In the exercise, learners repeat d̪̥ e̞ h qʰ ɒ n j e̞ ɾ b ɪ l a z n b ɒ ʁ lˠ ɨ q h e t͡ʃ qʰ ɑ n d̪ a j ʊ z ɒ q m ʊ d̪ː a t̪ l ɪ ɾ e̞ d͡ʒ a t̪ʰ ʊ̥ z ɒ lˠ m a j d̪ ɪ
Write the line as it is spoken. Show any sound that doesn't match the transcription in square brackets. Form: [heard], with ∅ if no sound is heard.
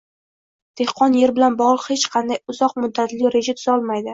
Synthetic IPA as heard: d̪̥ e̞ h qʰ ɒ n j e̞ ɾ b ɪ l a [∅] n b ɒ ʁ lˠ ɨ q h e t͡ʃ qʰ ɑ n d̪ a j ʊ z ɒ q m ʊ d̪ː a t̪ l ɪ ɾ e̞ d͡ʒ a t̪ʰ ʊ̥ z ɒ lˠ m a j d̪ ɪ

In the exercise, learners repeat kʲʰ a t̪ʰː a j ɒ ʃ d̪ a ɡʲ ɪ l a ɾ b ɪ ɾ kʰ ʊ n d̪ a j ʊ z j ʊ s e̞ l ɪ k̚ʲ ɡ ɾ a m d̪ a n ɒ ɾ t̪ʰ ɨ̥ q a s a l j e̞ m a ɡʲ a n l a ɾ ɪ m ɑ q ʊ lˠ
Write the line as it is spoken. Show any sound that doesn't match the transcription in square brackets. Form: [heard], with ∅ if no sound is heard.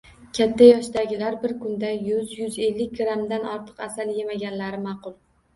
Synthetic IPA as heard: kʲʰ a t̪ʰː a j ɒ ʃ d̪ a ɡʲ ɪ l a ɾ b ɪ ɾ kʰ ʊ n d̪ a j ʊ z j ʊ [z] e̞ [lː] ɪ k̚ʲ ɡ ɾ a m d̪ a n ɒ ɾ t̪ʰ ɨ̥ q a s a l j e̞ m a ɡʲ a n l a ɾ ɪ m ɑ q ʊ lˠ

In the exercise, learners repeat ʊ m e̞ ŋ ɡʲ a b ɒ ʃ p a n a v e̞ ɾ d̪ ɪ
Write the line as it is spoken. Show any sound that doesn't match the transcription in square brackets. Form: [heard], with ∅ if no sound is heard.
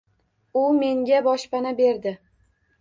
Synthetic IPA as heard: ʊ m e̞ ŋ ɡʲ a b ɒ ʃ p a n a [b] e̞ ɾ d̪ ɪ

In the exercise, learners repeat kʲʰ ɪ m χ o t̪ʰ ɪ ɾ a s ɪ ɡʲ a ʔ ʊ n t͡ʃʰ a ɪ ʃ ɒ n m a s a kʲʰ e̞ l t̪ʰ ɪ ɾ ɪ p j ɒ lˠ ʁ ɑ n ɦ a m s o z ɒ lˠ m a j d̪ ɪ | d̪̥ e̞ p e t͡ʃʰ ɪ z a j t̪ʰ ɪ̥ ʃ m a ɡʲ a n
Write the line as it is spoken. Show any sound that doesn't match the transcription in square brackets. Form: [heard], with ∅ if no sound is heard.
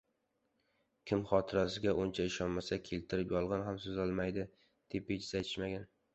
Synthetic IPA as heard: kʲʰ ɪ m χ [ɒ] t̪ʰ ɪ ɾ a s ɪ ɡʲ a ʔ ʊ n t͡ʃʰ a ɪ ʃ ɒ n m a s a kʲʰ e̞ l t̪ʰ ɪ ɾ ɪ p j ɒ lˠ ʁ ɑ n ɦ a m s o z ɒ lˠ m a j d̪ ɪ | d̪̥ e̞ p e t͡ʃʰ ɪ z a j t̪ʰ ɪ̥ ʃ m a ɡʲ a n

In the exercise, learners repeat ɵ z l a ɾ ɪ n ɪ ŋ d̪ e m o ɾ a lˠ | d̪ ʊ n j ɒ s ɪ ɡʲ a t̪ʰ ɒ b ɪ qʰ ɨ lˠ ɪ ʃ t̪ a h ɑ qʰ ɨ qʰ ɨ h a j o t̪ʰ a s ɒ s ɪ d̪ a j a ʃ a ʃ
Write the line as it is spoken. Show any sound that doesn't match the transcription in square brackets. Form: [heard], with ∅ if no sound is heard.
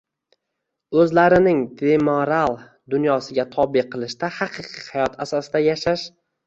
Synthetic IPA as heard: ɵ z l a ɾ ɪ n ɪ ŋ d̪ e m o ɾ a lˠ | d̪ ʊ n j ɒ s ɪ ɡʲ a t̪ʰ ɒ b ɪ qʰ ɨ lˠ ɪ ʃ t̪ a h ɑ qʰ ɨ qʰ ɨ h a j [ɒ] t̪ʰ a s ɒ s ɪ d̪ a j a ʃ a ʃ

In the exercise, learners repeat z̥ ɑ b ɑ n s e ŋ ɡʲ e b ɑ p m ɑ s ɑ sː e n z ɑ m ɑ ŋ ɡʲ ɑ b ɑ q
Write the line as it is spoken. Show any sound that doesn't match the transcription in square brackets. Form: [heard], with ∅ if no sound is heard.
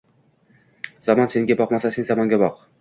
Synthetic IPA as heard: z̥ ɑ [m] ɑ n s e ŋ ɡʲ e b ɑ [q] m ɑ s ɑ [s] e n z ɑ m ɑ ŋ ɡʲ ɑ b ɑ q

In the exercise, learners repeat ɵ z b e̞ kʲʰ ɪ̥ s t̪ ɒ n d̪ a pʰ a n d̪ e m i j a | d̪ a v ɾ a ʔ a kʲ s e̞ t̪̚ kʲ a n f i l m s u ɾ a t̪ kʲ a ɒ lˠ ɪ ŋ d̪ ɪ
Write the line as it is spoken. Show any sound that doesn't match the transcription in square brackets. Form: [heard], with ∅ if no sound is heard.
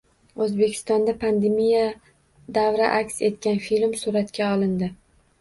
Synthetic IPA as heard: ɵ z b e̞ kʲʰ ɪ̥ s t̪ ɒ n d̪ a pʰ a n d̪ e m i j a | d̪ a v ɾ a ʔ a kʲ s e̞ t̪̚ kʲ a n f i l m s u ɾ a t̪ kʲ a ɒ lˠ ɪ [n] d̪ ɪ

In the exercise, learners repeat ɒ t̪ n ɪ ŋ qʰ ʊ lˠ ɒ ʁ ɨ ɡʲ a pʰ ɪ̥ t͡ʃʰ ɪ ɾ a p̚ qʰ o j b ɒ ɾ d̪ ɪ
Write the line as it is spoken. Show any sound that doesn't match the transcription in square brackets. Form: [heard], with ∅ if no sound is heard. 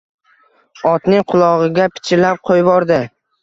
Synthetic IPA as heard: ɒ t̪ n ɪ ŋ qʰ ʊ lˠ ɒ ʁ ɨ ɡʲ a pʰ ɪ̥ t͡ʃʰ ɪ [l] a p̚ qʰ o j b ɒ ɾ d̪ ɪ

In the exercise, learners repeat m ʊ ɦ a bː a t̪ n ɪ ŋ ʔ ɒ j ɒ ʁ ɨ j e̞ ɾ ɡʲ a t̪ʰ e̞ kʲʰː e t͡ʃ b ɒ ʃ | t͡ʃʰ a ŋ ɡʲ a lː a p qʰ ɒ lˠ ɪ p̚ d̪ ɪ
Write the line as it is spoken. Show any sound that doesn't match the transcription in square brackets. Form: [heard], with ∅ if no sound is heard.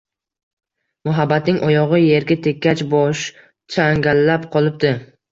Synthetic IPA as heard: m ʊ ɦ a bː a t̪ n ɪ ŋ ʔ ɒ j ɒ ʁ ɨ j e̞ ɾ ɡʲ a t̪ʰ e̞ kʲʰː [a] t͡ʃ b ɒ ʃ | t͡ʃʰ a ŋ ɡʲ a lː a p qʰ ɒ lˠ ɪ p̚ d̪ ɪ

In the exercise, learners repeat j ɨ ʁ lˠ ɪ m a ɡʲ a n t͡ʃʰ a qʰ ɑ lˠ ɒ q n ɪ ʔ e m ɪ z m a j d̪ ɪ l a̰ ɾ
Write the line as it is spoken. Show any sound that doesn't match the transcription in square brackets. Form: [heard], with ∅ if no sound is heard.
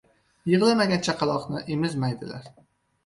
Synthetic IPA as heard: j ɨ ʁ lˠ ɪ m a ɡʲ a n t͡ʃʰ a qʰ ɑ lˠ ɒ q n ɪ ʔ e m ɪ z m a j d̪ ɪ l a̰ ɾ

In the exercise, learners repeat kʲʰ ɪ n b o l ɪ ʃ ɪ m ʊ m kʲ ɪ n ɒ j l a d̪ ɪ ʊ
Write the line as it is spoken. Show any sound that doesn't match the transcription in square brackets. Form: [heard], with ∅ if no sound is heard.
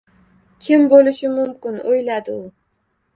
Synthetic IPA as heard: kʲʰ ɪ [m] b o l ɪ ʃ ɪ m ʊ m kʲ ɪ n [o] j l a d̪ ɪ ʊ

